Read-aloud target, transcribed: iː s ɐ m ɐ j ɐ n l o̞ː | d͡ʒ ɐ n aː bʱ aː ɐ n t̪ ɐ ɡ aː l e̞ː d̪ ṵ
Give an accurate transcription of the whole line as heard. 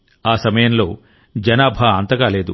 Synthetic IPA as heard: aː s ɐ m ɐ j ɐ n l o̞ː | d͡ʒ ɐ n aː bʱ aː ɐ n t̪ ɐ ɡ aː l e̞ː d̪ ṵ